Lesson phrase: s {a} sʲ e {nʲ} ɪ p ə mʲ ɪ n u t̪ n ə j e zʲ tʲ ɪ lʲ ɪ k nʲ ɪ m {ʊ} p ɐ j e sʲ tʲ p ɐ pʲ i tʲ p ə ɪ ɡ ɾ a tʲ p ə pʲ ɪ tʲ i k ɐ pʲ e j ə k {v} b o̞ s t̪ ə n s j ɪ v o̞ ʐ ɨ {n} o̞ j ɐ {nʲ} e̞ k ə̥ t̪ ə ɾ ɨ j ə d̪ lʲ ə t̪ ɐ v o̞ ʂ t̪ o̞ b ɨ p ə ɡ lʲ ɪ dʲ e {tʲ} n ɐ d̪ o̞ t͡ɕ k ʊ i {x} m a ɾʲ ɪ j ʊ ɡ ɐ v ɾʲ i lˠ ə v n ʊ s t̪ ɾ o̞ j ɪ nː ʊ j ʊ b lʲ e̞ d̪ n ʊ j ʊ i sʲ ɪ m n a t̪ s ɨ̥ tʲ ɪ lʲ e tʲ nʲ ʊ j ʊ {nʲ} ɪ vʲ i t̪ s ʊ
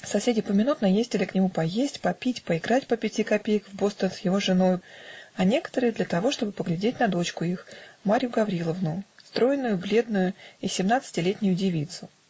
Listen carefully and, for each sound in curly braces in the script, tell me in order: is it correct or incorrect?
incorrect: ɐ, incorrect: dʲ, incorrect: u, correct, correct, correct, correct, correct, incorrect: dʲ

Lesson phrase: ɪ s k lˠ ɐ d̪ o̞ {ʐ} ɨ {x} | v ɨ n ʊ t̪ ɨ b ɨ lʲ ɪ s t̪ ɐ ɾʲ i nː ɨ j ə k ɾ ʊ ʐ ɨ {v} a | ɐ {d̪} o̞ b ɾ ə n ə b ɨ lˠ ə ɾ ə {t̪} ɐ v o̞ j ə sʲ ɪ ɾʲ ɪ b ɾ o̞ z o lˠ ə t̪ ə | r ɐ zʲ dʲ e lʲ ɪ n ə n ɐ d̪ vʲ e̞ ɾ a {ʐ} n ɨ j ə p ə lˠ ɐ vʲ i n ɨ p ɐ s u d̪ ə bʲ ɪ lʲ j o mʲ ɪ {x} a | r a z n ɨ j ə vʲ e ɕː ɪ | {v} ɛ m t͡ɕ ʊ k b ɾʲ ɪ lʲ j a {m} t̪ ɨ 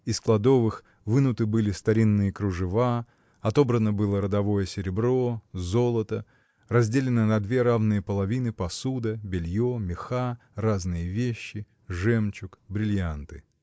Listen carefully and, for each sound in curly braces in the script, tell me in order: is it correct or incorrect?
incorrect: v, correct, correct, incorrect: t̪, incorrect: d̪, incorrect: v, correct, incorrect: ʐ, incorrect: n

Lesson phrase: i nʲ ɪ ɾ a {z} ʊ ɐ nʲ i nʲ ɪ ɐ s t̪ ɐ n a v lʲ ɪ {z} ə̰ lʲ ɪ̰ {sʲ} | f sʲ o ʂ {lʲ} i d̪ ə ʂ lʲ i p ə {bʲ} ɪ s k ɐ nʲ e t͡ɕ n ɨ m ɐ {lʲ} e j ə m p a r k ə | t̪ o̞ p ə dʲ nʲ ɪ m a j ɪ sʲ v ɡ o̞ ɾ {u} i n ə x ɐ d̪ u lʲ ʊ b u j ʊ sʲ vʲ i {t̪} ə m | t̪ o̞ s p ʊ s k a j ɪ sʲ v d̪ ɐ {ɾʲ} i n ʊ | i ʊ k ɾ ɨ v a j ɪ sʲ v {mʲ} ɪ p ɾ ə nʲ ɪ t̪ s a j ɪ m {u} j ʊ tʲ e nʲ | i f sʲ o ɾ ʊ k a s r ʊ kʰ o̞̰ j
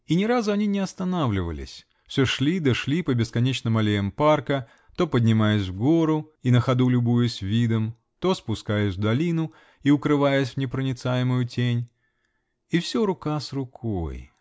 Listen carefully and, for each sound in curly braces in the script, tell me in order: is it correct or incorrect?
correct, incorrect: v, correct, correct, correct, correct, incorrect: ʊ, incorrect: d̪, incorrect: lʲ, incorrect: nʲ, incorrect: ʊ

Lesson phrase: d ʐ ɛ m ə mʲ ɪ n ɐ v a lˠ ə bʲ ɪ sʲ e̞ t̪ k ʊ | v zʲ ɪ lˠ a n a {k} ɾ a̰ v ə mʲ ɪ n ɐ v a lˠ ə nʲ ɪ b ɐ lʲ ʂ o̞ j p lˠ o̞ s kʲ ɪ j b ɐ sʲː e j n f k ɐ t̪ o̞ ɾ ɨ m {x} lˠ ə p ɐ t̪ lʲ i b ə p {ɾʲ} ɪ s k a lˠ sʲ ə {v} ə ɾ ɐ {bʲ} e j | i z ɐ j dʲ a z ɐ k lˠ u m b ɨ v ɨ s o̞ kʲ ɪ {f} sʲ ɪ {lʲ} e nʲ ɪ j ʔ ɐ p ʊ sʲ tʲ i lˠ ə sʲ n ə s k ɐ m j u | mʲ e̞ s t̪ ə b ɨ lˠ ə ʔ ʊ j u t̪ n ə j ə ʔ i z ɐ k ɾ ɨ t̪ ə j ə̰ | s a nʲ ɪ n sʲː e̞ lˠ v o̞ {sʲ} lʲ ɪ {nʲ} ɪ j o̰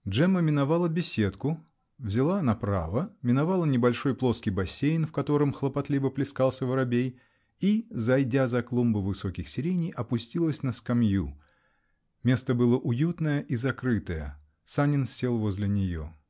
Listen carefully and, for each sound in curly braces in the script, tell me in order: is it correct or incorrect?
incorrect: p, correct, incorrect: lʲ, correct, correct, incorrect: x, incorrect: ɾʲ, incorrect: zʲ, correct

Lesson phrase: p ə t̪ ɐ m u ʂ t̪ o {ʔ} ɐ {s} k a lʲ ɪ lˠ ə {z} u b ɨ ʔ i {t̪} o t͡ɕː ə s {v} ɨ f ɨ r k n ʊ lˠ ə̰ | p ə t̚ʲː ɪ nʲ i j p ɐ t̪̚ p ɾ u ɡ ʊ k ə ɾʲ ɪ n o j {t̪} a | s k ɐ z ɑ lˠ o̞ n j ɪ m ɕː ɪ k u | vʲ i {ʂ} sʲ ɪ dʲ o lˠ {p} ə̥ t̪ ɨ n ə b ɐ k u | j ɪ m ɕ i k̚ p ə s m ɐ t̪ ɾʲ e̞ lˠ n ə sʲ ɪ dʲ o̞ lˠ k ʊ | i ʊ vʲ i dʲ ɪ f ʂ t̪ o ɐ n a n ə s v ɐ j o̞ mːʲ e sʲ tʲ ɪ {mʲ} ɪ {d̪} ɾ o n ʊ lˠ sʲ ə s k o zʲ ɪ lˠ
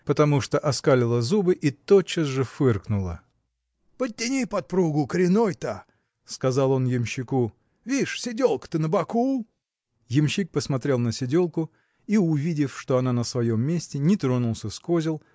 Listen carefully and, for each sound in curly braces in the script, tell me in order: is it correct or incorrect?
correct, correct, correct, correct, incorrect: ʐ, correct, correct, incorrect: k, incorrect: nʲ, incorrect: t̪

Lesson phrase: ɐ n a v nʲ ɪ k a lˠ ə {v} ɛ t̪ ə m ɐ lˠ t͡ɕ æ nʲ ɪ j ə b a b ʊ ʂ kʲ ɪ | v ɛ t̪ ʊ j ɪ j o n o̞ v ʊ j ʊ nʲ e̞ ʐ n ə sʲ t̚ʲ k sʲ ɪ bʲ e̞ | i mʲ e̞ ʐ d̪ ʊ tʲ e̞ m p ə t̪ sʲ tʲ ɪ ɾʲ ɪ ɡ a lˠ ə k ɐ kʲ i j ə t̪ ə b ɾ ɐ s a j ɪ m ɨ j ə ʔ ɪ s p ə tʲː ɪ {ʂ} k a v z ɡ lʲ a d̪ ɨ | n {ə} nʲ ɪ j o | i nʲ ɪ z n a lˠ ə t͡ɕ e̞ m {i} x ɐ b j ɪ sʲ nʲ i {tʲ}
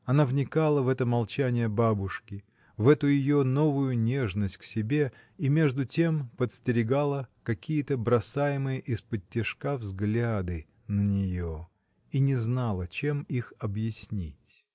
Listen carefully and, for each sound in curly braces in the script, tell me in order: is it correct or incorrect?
correct, correct, correct, correct, correct

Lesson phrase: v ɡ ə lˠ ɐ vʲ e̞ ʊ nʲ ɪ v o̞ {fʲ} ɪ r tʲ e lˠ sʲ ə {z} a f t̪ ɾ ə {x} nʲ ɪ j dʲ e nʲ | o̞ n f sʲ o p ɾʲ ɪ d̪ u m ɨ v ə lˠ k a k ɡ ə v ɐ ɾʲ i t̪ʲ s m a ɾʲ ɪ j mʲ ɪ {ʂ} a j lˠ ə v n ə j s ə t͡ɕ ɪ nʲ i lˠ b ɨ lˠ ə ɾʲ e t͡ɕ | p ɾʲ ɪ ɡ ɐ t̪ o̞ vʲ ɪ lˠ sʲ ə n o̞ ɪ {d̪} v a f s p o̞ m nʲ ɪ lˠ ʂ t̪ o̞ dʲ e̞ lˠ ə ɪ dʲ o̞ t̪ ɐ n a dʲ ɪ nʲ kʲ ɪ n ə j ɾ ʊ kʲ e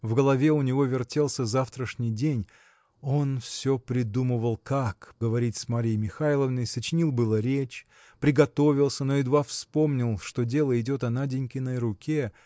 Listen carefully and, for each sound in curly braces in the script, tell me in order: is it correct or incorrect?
incorrect: vʲ, correct, incorrect: ʂ, incorrect: x, correct

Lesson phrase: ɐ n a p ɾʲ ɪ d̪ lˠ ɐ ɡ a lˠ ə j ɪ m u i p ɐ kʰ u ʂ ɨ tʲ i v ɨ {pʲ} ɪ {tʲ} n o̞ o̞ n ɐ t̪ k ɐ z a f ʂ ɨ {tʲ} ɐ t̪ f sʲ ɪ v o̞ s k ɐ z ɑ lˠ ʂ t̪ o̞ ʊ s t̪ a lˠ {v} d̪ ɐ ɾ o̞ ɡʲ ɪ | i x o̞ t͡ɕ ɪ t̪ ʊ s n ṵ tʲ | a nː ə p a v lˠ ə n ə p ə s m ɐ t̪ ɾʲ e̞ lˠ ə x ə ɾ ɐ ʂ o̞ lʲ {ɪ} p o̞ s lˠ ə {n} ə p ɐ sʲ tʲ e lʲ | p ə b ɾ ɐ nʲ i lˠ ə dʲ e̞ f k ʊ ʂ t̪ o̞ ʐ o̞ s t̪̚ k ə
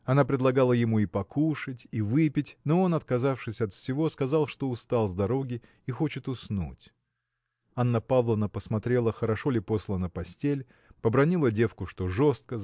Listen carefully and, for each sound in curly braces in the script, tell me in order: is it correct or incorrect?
correct, correct, incorrect: sʲ, incorrect: z, correct, correct

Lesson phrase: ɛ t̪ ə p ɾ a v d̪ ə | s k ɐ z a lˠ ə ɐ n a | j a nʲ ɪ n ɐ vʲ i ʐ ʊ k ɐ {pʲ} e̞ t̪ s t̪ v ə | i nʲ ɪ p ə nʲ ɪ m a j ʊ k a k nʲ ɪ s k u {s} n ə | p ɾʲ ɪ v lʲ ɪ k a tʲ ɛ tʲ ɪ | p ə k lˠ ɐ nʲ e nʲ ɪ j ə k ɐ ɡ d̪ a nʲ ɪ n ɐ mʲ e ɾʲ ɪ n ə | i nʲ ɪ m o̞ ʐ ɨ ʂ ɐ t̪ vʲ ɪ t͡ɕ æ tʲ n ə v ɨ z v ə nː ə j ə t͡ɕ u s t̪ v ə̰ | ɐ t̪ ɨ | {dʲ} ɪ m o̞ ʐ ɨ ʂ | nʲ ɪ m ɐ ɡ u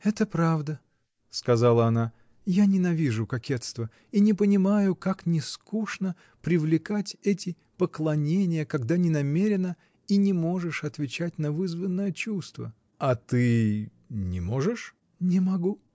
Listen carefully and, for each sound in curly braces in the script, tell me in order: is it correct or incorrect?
incorrect: kʲ, incorrect: ʂ, incorrect: nʲ

